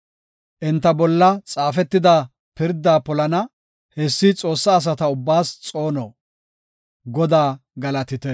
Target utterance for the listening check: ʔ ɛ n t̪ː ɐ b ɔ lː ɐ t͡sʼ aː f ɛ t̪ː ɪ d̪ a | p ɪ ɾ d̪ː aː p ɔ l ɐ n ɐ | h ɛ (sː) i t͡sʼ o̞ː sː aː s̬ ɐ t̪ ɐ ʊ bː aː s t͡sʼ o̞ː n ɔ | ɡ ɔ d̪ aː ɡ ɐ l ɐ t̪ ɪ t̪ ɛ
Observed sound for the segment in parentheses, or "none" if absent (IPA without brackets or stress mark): sː